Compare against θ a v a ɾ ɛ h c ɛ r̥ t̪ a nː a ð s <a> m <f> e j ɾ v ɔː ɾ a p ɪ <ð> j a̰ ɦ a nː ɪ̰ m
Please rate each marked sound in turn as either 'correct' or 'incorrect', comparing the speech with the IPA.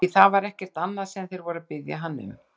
incorrect: ɛ, incorrect: θ, correct

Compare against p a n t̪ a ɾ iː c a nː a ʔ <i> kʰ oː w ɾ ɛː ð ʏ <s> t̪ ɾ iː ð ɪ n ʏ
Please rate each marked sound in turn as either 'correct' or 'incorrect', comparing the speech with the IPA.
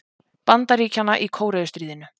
correct, correct

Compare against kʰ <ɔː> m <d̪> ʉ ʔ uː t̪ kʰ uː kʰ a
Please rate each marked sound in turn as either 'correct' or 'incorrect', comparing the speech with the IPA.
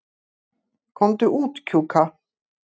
incorrect: ɔ, correct

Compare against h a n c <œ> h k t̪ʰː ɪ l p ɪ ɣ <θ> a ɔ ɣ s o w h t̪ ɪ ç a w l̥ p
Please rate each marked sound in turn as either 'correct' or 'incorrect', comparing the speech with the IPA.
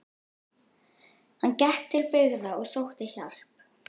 incorrect: ɛ, incorrect: ð

